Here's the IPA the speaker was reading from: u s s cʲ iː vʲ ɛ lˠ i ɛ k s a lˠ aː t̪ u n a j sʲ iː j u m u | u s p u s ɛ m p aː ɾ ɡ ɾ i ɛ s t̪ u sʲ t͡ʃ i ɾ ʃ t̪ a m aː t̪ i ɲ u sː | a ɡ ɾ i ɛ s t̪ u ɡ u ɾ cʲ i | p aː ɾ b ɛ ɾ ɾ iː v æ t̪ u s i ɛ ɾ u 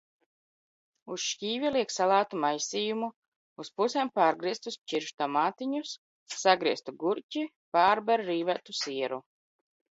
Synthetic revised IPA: u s ʃ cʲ iː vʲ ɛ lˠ i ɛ k s a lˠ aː t̪ u m a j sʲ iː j u m u | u s p u s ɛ m p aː ɾ ɡ ɾ i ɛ s t̪ u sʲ t͡ʃ i ɾ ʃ t̪ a m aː t̪ i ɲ u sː | a ɡ ɾ i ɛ s t̪ u ɡ u ɾ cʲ i | p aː ɾ b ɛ ɾ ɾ iː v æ t̪ u s i ɛ ɾ u

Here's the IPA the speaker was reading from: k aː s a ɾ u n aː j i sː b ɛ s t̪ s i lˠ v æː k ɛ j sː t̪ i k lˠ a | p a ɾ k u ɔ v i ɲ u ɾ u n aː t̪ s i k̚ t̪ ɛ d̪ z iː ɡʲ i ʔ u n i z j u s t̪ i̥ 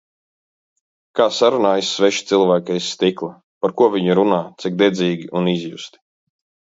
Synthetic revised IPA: k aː s a ɾ u n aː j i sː v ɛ ʃ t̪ s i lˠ v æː k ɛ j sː t̪ i k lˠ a | p a ɾ k u ɔ v i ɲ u ɾ u n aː t̪ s i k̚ d̪ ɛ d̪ z iː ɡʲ i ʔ u n i z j u s t̪ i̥

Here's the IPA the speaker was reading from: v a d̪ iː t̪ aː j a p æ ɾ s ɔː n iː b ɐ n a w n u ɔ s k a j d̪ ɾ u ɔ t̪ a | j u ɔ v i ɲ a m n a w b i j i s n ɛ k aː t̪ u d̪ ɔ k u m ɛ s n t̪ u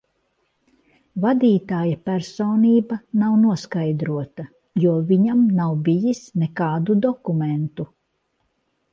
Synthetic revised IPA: v a d̪ iː t̪ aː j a p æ ɾ s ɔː n iː b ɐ n a w n u ɔ s k a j d̪ ɾ u ɔ t̪ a | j u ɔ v i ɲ a m n a w b i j i s n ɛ k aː d̪ u d̪ ɔ k u m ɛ n t̪ u

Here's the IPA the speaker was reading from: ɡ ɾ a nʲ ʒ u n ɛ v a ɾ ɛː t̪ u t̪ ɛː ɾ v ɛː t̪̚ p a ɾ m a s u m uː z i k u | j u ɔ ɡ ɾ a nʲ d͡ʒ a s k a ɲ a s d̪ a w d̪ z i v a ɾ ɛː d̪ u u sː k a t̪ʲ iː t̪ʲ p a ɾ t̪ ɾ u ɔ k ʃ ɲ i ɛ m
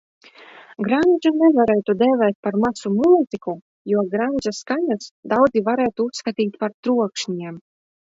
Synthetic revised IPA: ɡ ɾ a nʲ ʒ u n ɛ v a ɾ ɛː t̪ u d̪ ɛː v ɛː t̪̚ p a ɾ m a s u m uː z i k u | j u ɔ ɡ ɾ a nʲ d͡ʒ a s k a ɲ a s d̪ a w d̪ z i v a ɾ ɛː t̪ u u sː k a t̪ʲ iː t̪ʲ p a ɾ t̪ ɾ u ɔ k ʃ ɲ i ɛ m

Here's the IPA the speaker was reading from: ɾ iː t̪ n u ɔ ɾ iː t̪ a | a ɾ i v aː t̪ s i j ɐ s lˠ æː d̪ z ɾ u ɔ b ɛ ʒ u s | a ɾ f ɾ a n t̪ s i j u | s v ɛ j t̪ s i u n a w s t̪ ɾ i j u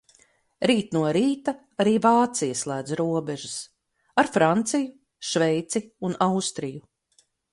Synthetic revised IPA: ɾ iː t̪ n u ɔ ɾ iː t̪ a | a ɾ iː v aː t̪ s i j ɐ s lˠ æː d̪ z ɾ u ɔ b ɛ ʒ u s | a ɾ f ɾ a n t̪ s i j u | ʃ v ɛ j t̪ s i u n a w s t̪ ɾ i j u

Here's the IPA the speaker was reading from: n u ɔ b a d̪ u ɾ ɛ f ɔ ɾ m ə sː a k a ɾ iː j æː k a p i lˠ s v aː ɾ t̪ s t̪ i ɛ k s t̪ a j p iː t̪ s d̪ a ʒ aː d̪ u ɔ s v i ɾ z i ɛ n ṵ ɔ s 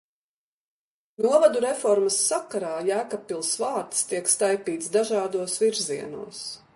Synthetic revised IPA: n u ɔ v a d̪ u ɾ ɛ f ɔ ɾ m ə sː a k a ɾ aː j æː k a p i lˠ s v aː ɾ t̪ s t̪ i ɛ k s t̪ a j p iː t̪ s d̪ a ʒ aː d̪ u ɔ s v i ɾ z i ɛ n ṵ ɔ s

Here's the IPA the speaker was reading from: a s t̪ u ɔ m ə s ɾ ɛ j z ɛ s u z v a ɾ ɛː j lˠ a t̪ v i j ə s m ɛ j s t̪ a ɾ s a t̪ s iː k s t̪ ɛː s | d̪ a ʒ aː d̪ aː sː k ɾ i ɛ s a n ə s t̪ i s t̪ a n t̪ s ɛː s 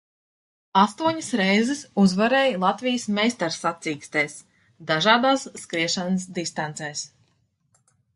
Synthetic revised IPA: a s t̪ u ɔ ɲ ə s ɾ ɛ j z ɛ s u z v a ɾ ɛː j lˠ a t̪ v i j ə s m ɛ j s t̪ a ɾ s a t̪ s iː k s t̪ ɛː s | d̪ a ʒ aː d̪ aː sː k ɾ i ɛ ʃ a n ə s d̪ i s t̪ a n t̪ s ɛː s

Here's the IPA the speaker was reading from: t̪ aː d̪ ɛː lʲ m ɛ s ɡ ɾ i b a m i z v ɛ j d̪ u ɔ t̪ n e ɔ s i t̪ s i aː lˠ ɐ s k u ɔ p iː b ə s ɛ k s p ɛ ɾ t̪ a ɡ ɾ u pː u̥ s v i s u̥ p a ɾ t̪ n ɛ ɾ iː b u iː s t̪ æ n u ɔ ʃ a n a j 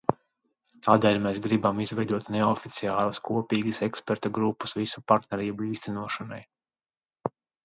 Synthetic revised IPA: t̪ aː d̪ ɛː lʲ m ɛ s ɡ ɾ i b a m i z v ɛ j d̪ u ɔ t̪ n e ɔ f i t̪ s i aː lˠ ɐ s k u ɔ p iː ɡ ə s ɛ k s p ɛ ɾ t̪ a ɡ ɾ u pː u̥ s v i s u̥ p a ɾ t̪ n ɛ ɾ iː b u iː s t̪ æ n u ɔ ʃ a n a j

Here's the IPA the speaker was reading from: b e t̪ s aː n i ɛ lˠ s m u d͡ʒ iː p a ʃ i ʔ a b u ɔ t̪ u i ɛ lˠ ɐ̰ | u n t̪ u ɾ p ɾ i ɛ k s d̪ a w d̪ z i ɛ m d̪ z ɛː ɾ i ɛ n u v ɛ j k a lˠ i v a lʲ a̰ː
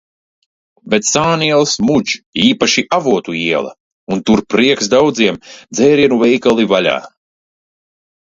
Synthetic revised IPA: b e t̪ s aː n i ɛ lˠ s m u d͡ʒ iː p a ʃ i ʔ a v u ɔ t̪ u i ɛ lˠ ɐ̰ | u n t̪ u ɾ p ɾ i ɛ k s d̪ a w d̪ z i ɛ m d̪ z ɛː ɾ i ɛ n u v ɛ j k a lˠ i v a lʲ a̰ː

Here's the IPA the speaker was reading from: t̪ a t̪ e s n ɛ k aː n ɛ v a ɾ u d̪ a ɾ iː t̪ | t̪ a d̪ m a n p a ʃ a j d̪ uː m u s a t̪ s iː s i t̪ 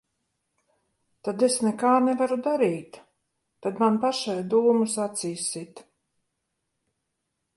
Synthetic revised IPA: t̪ a d̪ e s n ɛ k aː n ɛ v a ɾ u d̪ a ɾ iː t̪ | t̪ a d̪ m a n p a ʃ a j d̪ uː m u s a t̪ s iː s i t̪

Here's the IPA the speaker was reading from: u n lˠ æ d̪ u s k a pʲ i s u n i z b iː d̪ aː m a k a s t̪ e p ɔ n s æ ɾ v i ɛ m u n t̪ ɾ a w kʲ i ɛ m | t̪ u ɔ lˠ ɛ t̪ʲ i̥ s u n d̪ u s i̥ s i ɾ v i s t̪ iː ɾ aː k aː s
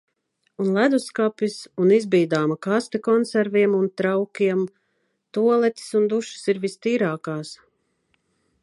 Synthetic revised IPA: u n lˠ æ d̪ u s k a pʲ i s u n i z b iː d̪ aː m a k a s t̪ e k ɔ n s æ ɾ v i ɛ m u n t̪ ɾ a w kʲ i ɛ m | t̪ u ɔ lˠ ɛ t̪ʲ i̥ s u n d̪ u ʃ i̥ s i ɾ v i s t̪ iː ɾ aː k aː s

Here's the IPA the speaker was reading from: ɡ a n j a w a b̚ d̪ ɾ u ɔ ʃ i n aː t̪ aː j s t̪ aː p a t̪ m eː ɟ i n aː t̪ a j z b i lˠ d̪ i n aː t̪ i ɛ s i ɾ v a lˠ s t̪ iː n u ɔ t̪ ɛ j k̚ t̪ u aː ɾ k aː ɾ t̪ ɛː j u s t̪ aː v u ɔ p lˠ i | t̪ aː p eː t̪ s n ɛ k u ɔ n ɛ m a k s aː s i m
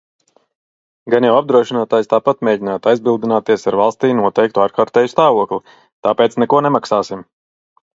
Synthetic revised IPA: ɡ a n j a w a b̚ d̪ ɾ u ɔ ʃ i n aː t̪ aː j s t̪ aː p a t̪ m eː ɟ i n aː t̪ a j z b i lˠ d̪ i n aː t̪ i ɛ s a ɾ v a lˠ s t̪ iː n u ɔ t̪ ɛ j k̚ t̪ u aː ɾ k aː ɾ t̪ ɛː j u s t̪ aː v u ɔ k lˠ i | t̪ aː p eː t̪ s n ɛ k u ɔ n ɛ m a k s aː s i m

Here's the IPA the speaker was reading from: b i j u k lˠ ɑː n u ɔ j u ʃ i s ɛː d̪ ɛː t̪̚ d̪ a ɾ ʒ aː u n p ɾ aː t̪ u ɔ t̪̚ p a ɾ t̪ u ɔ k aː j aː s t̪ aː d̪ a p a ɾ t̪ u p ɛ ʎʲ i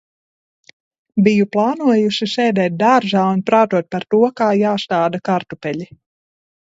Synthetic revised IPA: b i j u p lˠ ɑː n u ɔ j u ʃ i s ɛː d̪ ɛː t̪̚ d̪ a ɾ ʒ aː u n p ɾ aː t̪ u ɔ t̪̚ p a ɾ t̪ u ɔ k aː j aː s t̪ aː d̪ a k a ɾ t̪ u p ɛ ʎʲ i

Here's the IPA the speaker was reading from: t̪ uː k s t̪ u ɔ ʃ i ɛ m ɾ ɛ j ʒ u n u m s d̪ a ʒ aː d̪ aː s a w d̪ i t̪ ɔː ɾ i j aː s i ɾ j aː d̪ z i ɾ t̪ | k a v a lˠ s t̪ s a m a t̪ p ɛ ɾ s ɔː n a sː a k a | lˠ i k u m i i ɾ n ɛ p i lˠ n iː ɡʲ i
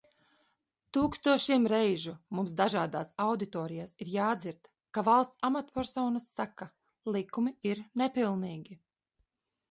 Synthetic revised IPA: t̪ uː k s t̪ u ɔ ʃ i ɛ m ɾ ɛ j ʒ u m u m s d̪ a ʒ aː d̪ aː s a w d̪ i t̪ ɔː ɾ i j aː s i ɾ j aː d̪ z i ɾ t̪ | k a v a lˠ s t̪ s a m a t̪ p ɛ ɾ s ɔː n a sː a k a | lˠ i k u m i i ɾ n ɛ p i lˠ n iː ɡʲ i

